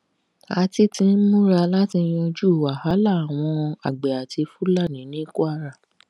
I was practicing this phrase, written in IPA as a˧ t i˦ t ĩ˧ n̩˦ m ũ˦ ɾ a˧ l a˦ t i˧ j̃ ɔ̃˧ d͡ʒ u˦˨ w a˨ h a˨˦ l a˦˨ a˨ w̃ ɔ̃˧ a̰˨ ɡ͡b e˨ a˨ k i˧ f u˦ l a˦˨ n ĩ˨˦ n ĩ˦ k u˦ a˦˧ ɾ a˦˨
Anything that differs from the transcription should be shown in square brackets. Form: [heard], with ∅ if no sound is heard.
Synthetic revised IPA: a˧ t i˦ t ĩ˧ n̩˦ m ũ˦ ɾ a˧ l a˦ t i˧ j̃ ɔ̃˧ d͡ʒ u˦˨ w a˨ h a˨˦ l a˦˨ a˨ w̃ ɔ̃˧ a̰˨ ɡ͡b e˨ a˨ [t] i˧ f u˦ l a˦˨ n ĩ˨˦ n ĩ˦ k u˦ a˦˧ ɾ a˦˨